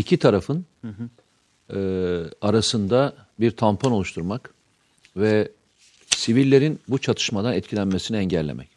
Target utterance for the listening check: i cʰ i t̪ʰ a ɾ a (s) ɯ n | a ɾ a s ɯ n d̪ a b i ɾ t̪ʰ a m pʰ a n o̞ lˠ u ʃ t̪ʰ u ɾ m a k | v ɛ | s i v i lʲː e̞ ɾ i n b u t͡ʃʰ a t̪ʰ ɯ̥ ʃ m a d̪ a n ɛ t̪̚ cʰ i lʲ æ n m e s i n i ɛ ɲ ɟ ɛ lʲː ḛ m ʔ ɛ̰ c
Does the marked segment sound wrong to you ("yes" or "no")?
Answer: yes